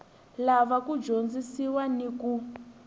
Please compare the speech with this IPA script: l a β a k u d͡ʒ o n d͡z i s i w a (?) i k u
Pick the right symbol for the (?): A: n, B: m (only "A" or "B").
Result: A